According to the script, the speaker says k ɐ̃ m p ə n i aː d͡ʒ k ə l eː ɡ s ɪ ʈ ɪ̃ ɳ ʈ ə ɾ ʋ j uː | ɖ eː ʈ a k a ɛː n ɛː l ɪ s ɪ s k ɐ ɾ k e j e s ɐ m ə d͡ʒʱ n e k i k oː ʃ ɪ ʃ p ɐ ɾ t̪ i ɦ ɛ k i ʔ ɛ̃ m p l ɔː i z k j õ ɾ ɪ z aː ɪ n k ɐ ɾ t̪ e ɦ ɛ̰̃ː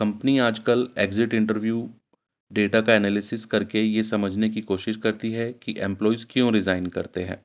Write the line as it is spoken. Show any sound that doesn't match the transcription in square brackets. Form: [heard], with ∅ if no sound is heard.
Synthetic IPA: k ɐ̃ m p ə n i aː d͡ʒ k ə l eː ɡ [z] ɪ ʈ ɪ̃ ɳ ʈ ə ɾ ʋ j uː | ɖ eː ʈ a k a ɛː n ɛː l ɪ s ɪ s k ɐ ɾ k e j e s ɐ m ə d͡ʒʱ n e k i k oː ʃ ɪ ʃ [k] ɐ ɾ t̪ i ɦ ɛ k i ʔ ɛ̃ m p l ɔː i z k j õ ɾ ɪ z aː ɪ n k ɐ ɾ t̪ e ɦ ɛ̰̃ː